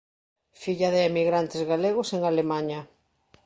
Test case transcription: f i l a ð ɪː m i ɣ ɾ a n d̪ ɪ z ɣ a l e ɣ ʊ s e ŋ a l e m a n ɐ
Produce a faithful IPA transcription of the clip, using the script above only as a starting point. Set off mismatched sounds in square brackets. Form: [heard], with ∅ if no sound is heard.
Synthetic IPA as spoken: f i [ʎ] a ð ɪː m i ɣ ɾ a n [t̪] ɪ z ɣ a l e ɣ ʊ s e ŋ a l e m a [ɲ] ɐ